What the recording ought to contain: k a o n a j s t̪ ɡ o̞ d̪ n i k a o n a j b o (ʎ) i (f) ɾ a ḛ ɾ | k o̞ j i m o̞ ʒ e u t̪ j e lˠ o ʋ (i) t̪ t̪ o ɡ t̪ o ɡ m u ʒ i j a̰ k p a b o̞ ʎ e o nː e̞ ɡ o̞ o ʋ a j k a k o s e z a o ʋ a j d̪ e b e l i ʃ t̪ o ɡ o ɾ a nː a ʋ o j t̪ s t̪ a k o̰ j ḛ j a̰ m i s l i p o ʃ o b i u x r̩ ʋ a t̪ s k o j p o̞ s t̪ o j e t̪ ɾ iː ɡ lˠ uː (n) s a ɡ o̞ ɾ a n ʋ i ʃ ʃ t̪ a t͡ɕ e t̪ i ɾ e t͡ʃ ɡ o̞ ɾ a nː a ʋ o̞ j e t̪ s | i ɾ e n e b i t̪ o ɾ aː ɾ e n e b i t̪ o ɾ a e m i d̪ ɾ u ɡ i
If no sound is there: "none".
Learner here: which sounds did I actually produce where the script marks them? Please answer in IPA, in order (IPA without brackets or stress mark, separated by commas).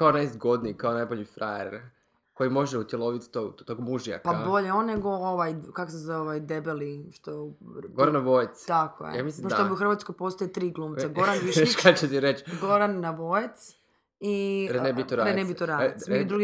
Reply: ʎ, f, i, m